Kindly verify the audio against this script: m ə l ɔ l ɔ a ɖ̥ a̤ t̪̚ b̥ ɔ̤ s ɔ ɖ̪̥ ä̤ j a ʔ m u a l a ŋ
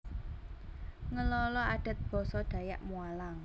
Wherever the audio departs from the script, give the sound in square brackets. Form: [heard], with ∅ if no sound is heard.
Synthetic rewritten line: [ŋ] ə l ɔ l ɔ a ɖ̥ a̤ t̪̚ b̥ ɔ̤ s ɔ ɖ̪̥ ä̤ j a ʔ m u a l a ŋ